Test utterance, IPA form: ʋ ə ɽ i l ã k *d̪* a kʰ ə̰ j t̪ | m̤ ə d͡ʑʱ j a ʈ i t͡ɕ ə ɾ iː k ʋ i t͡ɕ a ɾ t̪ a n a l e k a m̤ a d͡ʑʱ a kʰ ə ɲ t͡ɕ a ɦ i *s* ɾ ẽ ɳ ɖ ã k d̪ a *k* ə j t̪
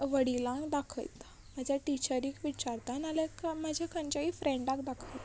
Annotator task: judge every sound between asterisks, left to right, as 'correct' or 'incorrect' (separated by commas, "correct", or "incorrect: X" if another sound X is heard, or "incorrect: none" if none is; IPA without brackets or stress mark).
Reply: correct, incorrect: f, incorrect: kʰ